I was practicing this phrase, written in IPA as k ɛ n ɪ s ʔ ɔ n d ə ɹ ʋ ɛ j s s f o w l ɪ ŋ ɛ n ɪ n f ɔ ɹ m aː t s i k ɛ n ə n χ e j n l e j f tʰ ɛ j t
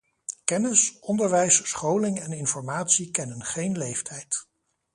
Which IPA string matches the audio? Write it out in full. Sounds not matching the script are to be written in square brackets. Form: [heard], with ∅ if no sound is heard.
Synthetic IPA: k ɛ n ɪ s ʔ ɔ n d ə ɹ ʋ ɛ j s s [χ] o w l ɪ ŋ ɛ n ɪ n f ɔ ɹ m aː t s i k ɛ n ə n χ e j n l e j f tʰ ɛ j t

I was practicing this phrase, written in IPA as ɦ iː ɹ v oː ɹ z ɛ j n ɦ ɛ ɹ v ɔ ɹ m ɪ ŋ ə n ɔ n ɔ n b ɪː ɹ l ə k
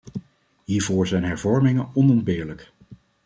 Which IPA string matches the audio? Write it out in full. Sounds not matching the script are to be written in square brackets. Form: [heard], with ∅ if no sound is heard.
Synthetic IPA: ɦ iː ɹ v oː ɹ z ɛ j n ɦ ɛ ɹ v ɔ ɹ m ɪ ŋ ə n ɔ n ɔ n b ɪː ɹ l ə k

